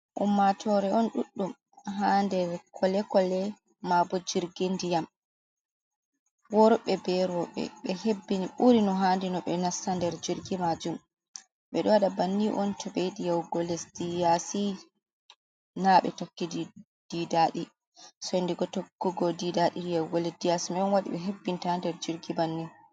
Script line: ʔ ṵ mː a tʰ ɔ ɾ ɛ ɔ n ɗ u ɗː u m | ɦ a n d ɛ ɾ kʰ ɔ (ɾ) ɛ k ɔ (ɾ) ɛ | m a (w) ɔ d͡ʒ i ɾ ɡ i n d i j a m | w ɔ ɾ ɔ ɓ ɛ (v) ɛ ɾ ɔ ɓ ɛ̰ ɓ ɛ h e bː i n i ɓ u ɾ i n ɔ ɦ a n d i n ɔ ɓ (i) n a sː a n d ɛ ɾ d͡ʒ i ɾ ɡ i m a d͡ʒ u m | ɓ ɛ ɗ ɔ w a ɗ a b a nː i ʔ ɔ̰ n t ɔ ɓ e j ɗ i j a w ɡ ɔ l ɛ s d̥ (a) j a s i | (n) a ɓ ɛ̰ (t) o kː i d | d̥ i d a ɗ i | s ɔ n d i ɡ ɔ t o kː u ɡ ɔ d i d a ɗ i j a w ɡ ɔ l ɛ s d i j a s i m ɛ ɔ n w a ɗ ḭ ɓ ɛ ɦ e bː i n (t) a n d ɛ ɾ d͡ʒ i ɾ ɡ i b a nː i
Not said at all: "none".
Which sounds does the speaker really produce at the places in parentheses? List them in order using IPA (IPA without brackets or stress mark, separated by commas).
l, l, b, b, ɛ, i, n, t, t